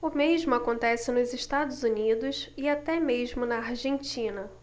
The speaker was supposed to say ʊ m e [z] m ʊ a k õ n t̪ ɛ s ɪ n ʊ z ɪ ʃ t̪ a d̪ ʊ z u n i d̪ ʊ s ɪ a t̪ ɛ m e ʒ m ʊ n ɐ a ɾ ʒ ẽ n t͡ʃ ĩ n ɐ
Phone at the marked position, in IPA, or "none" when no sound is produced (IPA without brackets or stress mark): ʒ